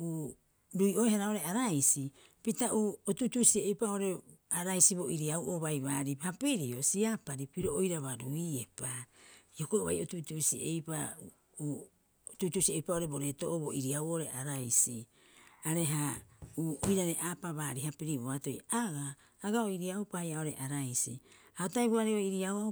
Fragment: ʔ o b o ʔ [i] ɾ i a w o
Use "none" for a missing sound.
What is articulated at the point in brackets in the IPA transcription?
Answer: i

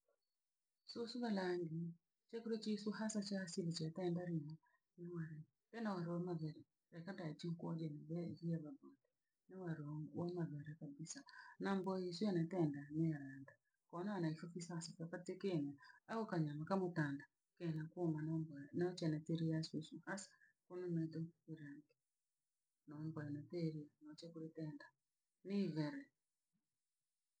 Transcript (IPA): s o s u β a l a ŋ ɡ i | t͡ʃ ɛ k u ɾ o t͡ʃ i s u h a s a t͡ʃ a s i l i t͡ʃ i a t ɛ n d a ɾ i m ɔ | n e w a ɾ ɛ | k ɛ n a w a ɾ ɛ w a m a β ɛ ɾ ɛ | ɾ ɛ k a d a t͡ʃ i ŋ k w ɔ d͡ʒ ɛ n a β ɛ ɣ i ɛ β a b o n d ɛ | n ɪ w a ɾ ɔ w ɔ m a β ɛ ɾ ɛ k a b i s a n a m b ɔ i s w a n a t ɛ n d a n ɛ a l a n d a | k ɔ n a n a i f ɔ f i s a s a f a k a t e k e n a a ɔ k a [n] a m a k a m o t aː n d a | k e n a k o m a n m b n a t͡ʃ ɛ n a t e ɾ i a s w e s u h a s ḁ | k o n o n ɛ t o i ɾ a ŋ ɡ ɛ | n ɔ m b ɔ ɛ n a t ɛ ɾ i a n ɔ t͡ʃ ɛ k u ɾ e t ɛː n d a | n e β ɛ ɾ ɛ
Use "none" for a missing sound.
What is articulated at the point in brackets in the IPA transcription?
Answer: ɲ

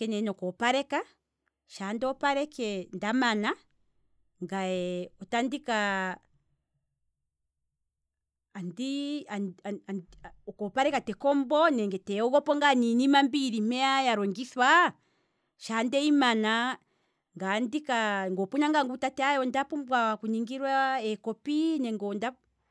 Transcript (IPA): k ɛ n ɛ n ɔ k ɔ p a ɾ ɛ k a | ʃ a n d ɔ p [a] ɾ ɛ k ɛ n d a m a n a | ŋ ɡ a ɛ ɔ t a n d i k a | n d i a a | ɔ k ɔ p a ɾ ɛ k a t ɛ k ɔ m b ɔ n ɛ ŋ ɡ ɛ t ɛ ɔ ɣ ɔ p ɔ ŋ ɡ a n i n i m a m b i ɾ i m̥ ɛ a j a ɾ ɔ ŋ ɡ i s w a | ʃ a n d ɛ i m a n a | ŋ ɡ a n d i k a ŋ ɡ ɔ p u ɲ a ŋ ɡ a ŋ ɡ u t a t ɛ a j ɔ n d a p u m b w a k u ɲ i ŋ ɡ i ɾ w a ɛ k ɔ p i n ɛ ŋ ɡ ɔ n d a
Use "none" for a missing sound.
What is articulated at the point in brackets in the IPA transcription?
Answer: a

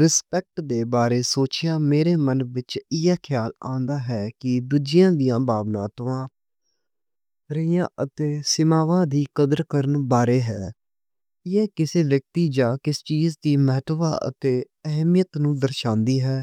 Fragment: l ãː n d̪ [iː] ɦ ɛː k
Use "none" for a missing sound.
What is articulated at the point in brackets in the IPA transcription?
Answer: aː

